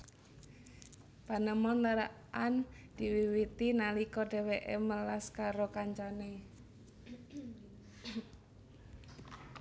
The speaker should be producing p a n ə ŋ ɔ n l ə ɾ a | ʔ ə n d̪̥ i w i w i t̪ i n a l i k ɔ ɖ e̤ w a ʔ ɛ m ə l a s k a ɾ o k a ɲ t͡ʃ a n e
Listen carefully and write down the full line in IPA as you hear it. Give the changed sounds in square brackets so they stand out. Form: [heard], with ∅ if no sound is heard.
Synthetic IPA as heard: p a n ə [m] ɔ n l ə ɾ a | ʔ [a] n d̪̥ i w i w i t̪ i n a l i k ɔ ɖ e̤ w [e] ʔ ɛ m ə l a s k a ɾ o k a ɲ t͡ʃ a n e